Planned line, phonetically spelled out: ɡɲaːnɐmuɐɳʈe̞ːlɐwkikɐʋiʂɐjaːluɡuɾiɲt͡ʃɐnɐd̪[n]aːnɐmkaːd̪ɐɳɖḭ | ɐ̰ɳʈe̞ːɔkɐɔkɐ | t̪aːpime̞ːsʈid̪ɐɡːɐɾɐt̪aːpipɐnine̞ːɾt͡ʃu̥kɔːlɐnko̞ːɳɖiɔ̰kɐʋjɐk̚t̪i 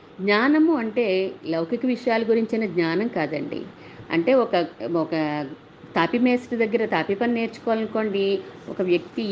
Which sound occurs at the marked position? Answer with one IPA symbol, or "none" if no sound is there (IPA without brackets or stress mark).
ɲ